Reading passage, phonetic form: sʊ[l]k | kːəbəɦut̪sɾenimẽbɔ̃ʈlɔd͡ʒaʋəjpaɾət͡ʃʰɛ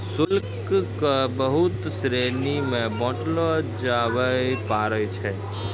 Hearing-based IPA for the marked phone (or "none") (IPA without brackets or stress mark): l